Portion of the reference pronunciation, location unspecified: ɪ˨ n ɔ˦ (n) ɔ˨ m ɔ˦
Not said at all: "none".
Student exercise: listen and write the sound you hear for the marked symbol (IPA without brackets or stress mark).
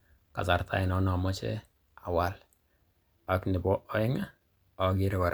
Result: n